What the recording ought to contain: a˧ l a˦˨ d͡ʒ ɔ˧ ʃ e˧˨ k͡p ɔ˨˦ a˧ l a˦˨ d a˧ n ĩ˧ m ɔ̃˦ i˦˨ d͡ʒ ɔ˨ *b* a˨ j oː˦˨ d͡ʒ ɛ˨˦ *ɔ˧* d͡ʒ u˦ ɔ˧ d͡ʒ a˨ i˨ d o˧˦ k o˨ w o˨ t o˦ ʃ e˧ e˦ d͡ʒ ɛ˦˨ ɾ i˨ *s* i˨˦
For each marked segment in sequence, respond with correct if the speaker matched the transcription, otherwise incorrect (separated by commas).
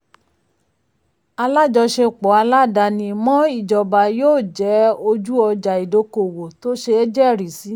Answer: correct, incorrect, correct